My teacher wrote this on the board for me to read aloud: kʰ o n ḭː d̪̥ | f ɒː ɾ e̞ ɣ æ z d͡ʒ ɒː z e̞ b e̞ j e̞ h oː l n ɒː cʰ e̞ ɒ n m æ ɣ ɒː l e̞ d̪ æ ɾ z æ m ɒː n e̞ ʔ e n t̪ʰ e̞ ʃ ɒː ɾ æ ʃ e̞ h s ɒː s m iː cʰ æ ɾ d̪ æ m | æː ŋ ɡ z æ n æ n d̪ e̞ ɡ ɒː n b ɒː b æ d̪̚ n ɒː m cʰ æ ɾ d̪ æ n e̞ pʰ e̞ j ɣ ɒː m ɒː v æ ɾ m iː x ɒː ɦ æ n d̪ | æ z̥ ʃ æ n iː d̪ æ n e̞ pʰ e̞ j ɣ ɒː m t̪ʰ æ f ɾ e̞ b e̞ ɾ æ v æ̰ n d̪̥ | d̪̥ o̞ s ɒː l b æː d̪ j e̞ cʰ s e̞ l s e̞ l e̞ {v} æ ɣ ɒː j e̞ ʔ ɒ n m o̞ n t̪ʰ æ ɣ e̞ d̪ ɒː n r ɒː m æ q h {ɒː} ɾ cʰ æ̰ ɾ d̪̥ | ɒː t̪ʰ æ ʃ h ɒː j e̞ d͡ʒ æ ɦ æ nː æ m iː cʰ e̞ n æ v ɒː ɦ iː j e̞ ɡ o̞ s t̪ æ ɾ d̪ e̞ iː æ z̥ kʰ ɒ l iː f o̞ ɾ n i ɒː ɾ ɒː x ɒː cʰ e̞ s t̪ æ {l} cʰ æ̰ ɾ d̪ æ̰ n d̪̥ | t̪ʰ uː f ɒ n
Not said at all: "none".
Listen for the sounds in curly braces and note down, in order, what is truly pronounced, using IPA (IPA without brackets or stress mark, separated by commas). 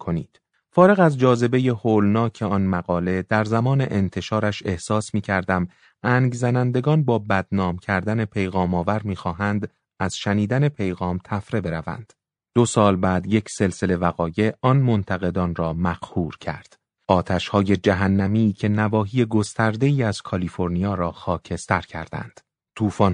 v, uː, ɾ